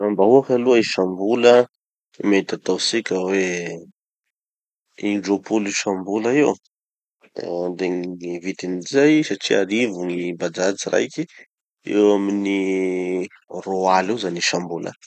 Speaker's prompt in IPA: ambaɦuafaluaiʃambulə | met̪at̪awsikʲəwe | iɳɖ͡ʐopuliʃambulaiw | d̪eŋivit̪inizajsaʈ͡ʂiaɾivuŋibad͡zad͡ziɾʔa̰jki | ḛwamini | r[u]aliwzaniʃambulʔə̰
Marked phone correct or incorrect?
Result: incorrect